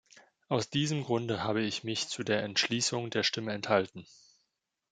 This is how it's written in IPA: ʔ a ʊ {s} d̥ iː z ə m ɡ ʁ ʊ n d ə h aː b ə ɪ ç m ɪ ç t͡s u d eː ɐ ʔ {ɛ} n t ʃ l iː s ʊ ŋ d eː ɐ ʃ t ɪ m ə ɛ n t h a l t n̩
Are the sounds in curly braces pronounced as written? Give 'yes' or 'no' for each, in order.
yes, yes

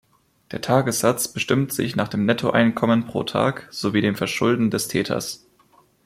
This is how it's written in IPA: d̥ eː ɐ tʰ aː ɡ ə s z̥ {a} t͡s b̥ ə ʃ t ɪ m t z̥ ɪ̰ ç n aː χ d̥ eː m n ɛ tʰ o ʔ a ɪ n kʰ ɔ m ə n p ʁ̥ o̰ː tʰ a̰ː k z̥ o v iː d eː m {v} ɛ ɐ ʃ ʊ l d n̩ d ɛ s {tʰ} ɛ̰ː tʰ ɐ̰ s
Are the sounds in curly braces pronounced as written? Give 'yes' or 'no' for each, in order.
yes, no, yes

